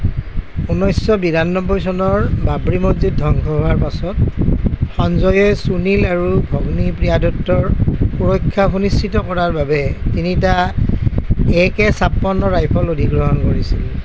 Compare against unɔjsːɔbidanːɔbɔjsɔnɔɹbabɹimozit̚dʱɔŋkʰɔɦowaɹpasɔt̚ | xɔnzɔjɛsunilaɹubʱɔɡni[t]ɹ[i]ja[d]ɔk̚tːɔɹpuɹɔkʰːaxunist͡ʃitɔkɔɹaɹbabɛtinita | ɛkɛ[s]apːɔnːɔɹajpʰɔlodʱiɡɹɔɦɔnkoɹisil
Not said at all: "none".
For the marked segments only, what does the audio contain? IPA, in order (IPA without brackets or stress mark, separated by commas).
p, i, d, s